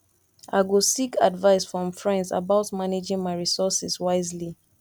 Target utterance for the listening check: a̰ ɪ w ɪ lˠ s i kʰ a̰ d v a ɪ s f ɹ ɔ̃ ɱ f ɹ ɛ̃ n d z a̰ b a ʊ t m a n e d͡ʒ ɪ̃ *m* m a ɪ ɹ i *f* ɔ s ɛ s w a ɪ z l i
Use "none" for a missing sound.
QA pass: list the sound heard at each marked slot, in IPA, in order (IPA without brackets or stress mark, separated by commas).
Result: ŋ, s